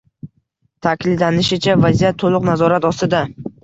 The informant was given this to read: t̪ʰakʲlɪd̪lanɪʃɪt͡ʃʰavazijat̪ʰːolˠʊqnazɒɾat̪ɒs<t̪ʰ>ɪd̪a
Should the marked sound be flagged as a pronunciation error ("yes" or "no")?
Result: yes